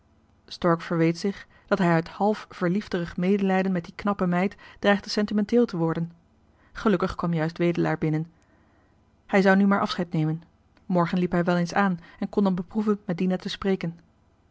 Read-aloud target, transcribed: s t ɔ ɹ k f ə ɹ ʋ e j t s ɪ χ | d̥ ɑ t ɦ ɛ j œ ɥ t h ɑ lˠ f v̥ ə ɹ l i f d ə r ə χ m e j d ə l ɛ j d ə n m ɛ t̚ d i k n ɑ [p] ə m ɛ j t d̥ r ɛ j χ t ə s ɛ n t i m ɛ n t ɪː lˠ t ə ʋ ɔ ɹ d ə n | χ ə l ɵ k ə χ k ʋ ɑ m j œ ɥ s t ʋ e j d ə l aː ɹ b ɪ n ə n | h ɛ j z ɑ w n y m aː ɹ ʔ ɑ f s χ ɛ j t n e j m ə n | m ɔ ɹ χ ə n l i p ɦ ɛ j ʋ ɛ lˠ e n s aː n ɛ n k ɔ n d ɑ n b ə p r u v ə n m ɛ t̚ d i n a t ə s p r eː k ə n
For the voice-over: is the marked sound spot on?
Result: yes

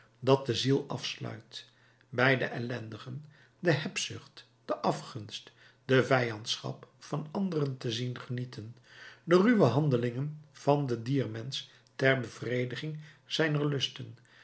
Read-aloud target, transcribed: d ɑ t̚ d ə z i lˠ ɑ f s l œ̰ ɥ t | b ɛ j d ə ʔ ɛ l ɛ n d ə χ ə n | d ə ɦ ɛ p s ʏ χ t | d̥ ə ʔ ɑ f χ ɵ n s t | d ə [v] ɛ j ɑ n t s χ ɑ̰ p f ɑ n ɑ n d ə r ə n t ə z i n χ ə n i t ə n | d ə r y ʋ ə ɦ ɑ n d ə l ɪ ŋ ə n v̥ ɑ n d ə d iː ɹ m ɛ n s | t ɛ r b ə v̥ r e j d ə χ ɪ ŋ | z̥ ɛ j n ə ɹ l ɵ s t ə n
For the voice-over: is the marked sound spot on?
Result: yes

